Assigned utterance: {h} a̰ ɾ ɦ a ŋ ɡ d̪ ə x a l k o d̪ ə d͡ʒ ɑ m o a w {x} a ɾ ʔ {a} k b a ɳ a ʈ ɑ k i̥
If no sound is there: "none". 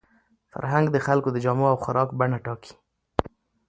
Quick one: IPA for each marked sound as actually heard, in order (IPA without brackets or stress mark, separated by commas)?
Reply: f, x, ɑ